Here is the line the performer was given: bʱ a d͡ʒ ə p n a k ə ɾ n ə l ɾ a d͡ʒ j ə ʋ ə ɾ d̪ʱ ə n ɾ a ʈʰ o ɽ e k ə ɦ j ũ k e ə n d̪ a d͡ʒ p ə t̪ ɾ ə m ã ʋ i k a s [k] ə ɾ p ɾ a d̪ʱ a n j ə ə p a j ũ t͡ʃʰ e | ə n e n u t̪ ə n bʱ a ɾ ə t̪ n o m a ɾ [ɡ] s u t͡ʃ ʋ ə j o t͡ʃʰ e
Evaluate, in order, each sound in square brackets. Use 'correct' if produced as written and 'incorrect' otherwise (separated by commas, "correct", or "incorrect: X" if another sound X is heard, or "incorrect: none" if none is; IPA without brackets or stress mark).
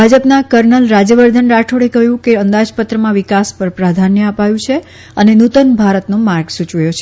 incorrect: p, correct